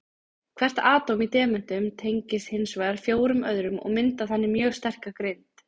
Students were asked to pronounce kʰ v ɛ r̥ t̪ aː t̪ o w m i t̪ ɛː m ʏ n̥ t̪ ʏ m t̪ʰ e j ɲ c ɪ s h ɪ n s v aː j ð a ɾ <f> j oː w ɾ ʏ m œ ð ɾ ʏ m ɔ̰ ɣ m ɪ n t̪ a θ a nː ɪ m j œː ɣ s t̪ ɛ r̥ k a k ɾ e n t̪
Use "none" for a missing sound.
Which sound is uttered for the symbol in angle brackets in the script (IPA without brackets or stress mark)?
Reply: f